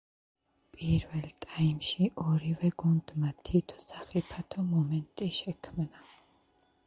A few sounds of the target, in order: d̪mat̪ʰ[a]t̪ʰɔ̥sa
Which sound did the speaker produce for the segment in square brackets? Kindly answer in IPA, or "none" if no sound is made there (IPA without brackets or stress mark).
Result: i